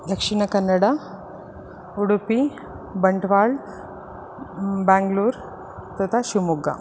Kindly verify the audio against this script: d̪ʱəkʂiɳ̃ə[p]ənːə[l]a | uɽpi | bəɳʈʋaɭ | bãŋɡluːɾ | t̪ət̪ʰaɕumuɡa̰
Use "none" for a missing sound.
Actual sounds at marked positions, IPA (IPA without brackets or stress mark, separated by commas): k, ɽ